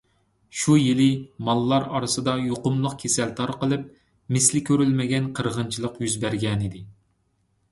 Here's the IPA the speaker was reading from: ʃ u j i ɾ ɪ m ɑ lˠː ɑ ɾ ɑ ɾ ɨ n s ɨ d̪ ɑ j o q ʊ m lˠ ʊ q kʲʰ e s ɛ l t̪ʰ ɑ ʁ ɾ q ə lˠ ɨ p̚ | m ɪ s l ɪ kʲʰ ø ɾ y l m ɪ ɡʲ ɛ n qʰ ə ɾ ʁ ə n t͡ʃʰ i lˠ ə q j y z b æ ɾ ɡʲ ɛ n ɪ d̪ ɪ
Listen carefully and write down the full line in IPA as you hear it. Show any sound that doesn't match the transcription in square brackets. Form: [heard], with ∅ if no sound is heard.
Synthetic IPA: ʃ u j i [l] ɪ m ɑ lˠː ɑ ɾ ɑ ɾ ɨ [∅] s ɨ d̪ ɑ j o q ʊ m lˠ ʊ q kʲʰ e s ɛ l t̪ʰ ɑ [∅] ɾ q ə lˠ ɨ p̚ | m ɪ s l ɪ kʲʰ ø ɾ y l m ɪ ɡʲ ɛ n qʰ ə ɾ ʁ ə n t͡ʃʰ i lˠ ə q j y z b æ ɾ ɡʲ ɛ n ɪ d̪ ɪ

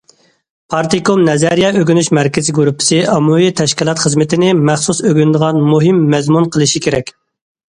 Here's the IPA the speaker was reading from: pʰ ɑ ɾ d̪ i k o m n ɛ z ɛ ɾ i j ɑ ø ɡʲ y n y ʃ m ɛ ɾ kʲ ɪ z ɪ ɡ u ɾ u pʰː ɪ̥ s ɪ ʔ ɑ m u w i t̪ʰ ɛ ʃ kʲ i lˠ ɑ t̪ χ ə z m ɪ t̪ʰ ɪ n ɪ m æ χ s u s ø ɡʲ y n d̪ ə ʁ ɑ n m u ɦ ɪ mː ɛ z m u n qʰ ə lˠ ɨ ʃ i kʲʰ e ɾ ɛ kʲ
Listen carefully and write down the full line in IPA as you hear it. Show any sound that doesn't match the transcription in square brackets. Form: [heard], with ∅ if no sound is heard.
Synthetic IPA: pʰ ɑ ɾ [t̪] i k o m n ɛ z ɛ ɾ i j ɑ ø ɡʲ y n y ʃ m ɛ ɾ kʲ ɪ z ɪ ɡ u ɾ u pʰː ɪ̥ s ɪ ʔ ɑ m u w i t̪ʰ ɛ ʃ kʲ i lˠ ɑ t̪ χ ə z m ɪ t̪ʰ ɪ n ɪ m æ χ s u s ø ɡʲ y n d̪ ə ʁ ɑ n m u ɦ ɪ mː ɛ z m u n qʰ ə lˠ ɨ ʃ i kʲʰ e ɾ ɛ kʲ

